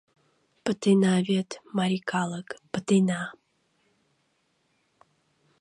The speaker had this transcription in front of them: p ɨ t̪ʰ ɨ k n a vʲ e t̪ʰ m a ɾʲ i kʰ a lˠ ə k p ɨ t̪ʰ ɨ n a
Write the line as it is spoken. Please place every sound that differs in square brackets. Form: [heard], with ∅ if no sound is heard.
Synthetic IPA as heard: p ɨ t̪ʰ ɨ [∅] n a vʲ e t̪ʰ m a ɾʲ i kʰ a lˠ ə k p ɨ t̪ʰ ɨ n a